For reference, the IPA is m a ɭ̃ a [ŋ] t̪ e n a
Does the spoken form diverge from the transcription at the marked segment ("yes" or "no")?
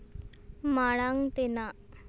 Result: no